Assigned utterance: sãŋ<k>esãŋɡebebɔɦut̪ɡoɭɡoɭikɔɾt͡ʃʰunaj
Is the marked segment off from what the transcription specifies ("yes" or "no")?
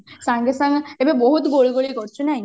yes